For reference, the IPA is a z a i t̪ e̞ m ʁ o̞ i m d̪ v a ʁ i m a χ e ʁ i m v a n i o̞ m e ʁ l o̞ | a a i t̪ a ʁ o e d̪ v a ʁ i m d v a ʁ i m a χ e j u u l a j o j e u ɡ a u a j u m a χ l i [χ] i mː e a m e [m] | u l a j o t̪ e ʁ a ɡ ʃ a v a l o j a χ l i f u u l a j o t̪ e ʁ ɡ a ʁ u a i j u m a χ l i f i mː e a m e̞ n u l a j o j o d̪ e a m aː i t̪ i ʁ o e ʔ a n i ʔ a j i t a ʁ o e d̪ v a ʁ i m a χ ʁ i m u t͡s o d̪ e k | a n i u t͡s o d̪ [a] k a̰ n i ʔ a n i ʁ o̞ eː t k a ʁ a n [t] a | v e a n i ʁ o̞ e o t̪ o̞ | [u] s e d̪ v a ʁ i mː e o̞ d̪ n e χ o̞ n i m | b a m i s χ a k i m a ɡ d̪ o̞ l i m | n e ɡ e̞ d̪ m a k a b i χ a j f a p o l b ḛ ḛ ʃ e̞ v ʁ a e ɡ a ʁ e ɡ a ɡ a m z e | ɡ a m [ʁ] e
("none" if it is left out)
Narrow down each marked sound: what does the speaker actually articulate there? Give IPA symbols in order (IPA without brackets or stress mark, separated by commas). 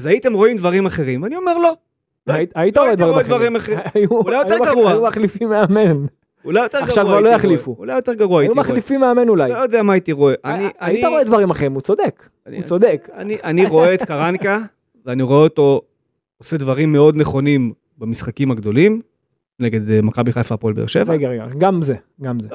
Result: f, n, e, k, o, z